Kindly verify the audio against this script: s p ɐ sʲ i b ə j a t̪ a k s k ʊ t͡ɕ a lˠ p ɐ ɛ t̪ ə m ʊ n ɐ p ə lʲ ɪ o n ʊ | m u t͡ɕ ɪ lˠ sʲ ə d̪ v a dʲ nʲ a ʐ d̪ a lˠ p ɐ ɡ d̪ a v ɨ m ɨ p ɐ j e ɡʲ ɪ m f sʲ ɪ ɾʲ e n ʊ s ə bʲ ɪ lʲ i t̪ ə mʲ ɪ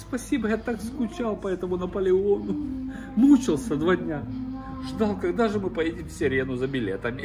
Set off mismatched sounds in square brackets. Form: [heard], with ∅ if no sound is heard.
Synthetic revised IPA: s p ɐ sʲ i b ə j a t̪ a k s k ʊ t͡ɕ a lˠ p ɐ ɛ t̪ ə m ʊ n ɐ p ə lʲ ɪ o n ʊ | m u t͡ɕ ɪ lˠ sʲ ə d̪ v a dʲ nʲ a ʐ d̪ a lˠ [k] ɐ ɡ d̪ a [ʐ] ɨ m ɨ p ɐ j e [dʲ] ɪ m f sʲ ɪ ɾʲ e n ʊ [z] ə bʲ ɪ lʲ [e] t̪ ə mʲ ɪ